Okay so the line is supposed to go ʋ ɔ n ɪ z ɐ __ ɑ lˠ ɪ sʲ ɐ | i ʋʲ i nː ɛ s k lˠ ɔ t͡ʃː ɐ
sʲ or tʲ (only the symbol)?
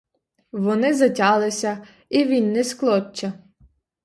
tʲ